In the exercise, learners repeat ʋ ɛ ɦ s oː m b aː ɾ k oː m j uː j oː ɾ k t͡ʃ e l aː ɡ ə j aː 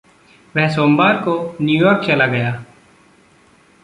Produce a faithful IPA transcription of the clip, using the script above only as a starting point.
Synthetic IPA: ʋ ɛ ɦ s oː m b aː ɾ k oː n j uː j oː ɾ k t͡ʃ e l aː ɡ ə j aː